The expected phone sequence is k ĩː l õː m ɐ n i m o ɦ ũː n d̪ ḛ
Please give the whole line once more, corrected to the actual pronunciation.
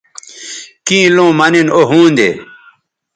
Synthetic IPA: k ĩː l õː m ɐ n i n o ɦ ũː n d̪ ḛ